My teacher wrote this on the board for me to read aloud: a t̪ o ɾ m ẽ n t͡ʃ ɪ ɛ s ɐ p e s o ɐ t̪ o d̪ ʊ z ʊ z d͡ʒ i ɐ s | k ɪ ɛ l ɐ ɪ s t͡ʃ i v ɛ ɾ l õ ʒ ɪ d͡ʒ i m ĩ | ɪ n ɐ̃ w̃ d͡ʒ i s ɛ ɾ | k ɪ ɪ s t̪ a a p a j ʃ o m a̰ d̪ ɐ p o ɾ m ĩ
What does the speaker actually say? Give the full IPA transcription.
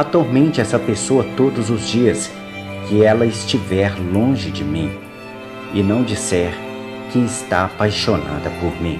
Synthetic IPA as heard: a t̪ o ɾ m ẽ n t͡ʃ ɪ ɛ s ɐ p e s o ɐ t̪ o d̪ ʊ z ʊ z d͡ʒ i ɐ s | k ɪ ɛ l ɐ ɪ s t͡ʃ i v ɛ ɾ l õ ʒ ɪ d͡ʒ ɪ m ĩ | ɪ n ɐ̃ w̃ d͡ʒ i s ɛ ɾ | k ɪ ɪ s t̪ a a p a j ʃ o n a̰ d̪ ɐ p o ɾ m ĩ